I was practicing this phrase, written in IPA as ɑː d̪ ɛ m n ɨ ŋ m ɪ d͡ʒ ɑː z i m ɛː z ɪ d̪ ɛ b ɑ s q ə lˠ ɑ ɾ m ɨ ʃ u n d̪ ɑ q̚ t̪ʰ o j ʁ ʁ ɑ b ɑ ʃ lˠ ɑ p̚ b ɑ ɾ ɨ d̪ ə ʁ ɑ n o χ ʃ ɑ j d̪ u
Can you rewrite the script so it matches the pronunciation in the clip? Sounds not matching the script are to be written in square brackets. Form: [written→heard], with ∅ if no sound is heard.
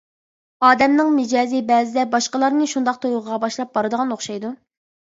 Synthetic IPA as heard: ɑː d̪ ɛ m n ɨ ŋ m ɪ d͡ʒ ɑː z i [m→b] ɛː z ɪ d̪ ɛ b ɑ [s→ʃ] q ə lˠ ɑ ɾ [m→n] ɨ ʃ u n d̪ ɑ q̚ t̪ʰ o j ʁ ʁ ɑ b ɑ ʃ lˠ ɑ p̚ b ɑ ɾ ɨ d̪ ə ʁ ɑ n o χ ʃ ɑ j d̪ u

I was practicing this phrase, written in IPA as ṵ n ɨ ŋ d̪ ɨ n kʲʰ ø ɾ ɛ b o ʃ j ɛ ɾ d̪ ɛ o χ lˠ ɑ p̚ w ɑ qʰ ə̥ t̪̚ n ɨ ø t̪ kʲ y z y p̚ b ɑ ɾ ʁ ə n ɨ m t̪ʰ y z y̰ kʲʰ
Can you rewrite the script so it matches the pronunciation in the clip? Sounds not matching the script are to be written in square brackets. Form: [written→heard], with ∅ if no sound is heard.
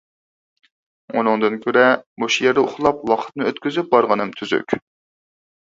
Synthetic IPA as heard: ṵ n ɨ ŋ d̪ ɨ n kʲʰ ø ɾ ɛ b o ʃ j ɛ ɾ d̪ ɛ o χ lˠ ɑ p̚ w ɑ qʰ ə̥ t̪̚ n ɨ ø t̪ kʲ y z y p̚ b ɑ ɾ ʁ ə n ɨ m t̪ʰ y z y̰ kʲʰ

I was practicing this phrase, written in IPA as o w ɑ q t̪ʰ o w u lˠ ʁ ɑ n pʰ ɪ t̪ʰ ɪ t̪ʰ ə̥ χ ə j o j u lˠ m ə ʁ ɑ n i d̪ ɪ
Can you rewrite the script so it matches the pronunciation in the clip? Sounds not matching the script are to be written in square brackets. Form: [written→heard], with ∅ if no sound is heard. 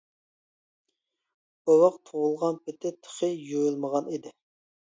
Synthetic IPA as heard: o w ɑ q t̪ʰ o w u lˠ ʁ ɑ n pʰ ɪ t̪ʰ ɪ t̪ʰ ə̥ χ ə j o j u lˠ m ə ʁ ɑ n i d̪ ɪ

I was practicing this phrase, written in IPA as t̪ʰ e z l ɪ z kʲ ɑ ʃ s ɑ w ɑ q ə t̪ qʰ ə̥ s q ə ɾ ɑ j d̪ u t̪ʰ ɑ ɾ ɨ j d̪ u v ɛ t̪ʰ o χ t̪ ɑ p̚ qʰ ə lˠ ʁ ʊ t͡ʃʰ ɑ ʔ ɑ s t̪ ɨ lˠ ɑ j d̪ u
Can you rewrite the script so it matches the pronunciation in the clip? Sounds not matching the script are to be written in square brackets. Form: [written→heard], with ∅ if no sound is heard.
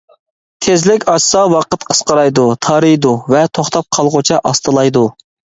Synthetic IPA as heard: t̪ʰ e z l ɪ [z→∅] kʲ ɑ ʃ s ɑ w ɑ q ə t̪ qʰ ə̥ s q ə ɾ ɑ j d̪ u t̪ʰ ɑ ɾ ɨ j d̪ u v ɛ t̪ʰ o χ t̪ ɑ p̚ qʰ [ə→ɑ] lˠ ʁ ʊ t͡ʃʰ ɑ ʔ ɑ s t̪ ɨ lˠ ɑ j d̪ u

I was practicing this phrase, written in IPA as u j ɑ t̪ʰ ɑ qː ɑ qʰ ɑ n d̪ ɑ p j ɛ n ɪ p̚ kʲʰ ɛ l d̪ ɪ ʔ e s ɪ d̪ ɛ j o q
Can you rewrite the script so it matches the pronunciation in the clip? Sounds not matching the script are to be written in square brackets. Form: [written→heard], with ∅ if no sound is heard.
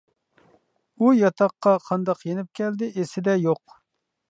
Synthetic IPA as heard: u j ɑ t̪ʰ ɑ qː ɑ qʰ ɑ n d̪ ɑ [p→q] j [ɛ→e] n ɪ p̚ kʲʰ ɛ l d̪ ɪ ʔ e s ɪ d̪ ɛ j o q

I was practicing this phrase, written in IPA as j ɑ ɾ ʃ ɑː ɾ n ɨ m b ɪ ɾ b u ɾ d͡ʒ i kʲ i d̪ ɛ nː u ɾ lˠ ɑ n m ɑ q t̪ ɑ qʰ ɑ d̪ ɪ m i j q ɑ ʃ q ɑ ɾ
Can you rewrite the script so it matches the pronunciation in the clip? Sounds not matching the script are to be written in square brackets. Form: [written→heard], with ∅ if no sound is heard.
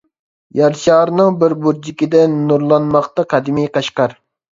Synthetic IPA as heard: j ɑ ɾ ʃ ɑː ɾ n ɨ [m→ŋ] b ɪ ɾ b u ɾ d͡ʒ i kʲ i d̪ ɛ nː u ɾ lˠ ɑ n m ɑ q t̪ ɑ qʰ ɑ d̪ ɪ m i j q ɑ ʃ q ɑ ɾ

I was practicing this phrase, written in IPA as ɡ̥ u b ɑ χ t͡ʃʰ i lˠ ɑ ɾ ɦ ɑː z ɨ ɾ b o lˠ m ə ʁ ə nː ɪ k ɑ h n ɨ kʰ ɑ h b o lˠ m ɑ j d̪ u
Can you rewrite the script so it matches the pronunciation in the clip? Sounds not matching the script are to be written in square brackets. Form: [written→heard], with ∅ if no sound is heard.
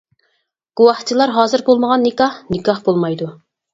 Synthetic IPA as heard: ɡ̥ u [b→w] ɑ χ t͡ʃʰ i lˠ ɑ ɾ ɦ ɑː z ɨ ɾ b o lˠ m ə ʁ [ə→ɑ] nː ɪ k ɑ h n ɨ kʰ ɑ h b o lˠ m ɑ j d̪ u

